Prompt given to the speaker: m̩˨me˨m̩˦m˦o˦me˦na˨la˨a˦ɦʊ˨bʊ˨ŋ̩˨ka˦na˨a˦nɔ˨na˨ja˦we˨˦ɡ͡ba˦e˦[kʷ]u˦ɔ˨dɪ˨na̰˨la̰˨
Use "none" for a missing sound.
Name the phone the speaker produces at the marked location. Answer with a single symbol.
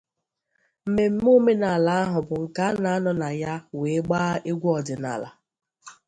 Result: ɡʷ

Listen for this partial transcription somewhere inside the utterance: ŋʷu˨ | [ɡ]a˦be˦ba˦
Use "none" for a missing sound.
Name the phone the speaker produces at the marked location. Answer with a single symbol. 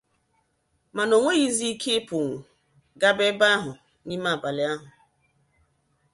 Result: ɡ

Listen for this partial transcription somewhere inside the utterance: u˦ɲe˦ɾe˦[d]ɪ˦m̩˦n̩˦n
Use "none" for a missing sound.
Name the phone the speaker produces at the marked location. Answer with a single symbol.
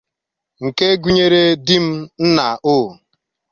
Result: d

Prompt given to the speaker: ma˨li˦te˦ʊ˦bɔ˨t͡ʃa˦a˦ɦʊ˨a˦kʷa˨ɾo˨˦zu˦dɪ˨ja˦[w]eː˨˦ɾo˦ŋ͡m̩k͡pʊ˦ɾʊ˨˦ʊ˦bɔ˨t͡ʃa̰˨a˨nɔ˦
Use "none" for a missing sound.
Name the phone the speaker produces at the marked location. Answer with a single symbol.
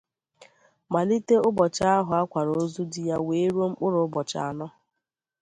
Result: w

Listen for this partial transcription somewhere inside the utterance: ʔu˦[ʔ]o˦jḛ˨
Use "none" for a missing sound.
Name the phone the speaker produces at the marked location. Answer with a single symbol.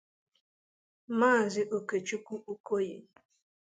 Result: k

